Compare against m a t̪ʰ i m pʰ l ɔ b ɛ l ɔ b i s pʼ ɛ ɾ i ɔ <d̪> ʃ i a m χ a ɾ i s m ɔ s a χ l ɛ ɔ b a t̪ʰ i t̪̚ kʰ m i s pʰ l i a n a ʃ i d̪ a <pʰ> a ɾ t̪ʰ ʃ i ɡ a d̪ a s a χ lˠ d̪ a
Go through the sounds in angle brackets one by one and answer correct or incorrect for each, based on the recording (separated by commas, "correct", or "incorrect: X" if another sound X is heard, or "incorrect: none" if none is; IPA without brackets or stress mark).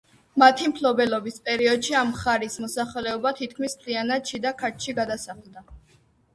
correct, incorrect: kʰ